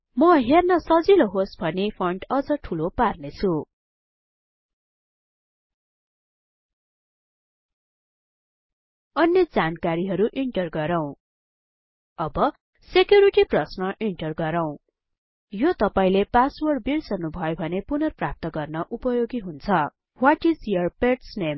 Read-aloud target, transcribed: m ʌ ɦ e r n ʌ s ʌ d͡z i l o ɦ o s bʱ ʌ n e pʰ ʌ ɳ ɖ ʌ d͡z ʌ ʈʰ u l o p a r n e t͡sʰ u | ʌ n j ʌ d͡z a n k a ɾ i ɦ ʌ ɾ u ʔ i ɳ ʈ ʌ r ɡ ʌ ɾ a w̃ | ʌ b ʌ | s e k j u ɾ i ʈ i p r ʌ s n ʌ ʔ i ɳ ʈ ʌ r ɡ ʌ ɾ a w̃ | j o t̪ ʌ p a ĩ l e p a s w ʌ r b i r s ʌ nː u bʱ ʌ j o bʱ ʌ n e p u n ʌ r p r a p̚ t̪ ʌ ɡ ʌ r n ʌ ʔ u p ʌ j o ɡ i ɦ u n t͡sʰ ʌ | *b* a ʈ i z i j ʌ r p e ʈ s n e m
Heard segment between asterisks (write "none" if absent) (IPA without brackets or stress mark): w